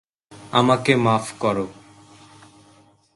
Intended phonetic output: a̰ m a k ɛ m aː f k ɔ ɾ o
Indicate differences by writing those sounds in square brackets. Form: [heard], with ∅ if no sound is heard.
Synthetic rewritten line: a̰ m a k [e] m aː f k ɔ ɾ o